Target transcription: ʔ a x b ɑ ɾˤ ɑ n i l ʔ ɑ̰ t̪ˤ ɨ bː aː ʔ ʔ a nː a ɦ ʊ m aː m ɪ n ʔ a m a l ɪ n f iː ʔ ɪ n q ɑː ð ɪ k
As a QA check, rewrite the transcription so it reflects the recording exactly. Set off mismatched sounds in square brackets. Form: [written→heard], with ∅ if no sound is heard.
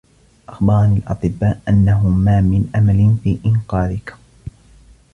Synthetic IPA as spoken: ʔ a x b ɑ ɾˤ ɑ n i l ʔ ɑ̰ t̪ˤ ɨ bː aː ʔ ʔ a nː a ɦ ʊ m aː m ɪ n ʔ a m a l ɪ n f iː ʔ ɪ n q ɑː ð ɪ k